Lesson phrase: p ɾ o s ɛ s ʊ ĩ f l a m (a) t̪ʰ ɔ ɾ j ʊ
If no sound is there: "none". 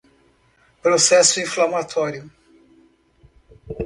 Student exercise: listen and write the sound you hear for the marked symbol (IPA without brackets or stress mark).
a